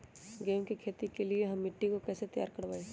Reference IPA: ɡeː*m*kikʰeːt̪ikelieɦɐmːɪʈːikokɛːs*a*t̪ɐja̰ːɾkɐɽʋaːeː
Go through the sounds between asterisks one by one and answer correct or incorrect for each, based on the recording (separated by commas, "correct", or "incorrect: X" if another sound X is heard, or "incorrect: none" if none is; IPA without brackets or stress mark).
correct, incorrect: e